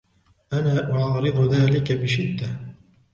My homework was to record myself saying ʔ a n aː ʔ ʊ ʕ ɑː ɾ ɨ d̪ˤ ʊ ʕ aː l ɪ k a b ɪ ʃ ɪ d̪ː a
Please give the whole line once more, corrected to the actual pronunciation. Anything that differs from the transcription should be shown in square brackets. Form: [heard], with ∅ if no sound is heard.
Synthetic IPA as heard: ʔ a n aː ʔ ʊ ʕ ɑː ɾ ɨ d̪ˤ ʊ [ð] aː l ɪ k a b ɪ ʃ ɪ d̪ː a